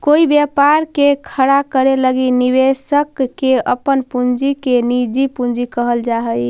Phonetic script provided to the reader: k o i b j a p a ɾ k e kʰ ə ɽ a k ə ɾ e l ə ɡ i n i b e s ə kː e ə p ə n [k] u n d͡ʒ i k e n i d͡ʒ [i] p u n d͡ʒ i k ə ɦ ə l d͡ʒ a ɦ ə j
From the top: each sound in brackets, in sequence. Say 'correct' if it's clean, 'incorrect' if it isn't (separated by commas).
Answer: incorrect, correct